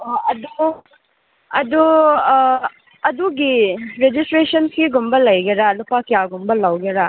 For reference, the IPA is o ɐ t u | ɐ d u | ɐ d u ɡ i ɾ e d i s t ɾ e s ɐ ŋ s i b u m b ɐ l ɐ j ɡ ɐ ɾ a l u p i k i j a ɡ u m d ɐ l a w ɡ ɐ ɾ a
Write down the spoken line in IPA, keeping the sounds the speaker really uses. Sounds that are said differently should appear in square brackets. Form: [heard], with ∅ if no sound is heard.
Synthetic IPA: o ɐ [d] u | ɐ d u | ɐ d u ɡ i ɾ e [d͡ʒ] i s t ɾ e s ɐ [n] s i [ɡ] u m b ɐ l ɐ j ɡ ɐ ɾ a l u p [a] k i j a ɡ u m [b] ɐ l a w ɡ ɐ ɾ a